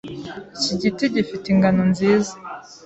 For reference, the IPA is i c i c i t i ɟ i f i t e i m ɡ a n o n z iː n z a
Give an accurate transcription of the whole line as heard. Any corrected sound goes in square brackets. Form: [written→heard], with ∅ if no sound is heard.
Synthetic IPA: i c i [c→ɟ] i t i ɟ i f i t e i [m→ŋ] ɡ a n o n z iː [n→∅] z a